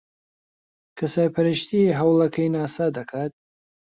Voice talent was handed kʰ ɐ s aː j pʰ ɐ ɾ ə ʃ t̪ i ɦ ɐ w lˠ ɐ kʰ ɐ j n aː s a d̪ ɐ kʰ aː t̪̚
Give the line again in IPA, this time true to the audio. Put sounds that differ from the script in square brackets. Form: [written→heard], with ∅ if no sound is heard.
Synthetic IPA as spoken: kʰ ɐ s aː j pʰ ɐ ɾ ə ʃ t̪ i ɦ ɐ w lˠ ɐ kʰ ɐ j n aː s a d̪ ɐ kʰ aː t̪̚